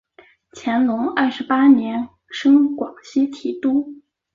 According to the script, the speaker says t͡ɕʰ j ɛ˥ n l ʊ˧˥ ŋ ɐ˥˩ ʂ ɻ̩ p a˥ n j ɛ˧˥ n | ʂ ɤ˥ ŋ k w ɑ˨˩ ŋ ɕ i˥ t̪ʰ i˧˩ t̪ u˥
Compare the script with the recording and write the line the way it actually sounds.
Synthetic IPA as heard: t͡ɕʰ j ɛ˧˥ n l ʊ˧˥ ŋ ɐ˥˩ ʂ ɻ̩ p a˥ n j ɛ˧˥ n | ʂ ɤ˥ ŋ k w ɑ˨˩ ŋ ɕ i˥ t̪ʰ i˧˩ t̪ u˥